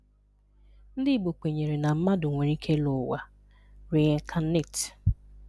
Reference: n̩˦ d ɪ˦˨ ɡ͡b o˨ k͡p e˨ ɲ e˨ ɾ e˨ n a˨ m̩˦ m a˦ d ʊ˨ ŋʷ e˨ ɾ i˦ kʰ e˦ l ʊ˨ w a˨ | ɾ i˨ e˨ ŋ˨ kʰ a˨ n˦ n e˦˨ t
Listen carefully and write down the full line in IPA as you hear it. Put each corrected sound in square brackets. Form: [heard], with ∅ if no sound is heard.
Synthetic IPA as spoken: n̩˦ d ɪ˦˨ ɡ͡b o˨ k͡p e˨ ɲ e˨ ɾ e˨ n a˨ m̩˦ m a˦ d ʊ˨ ŋʷ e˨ ɾ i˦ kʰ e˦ l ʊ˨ w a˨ | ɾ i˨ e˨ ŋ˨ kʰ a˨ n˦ n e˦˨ t